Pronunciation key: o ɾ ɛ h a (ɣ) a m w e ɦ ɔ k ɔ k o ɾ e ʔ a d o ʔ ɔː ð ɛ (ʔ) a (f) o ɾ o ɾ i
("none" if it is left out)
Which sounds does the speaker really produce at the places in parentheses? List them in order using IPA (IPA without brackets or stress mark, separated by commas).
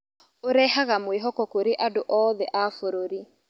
ɣ, ʔ, f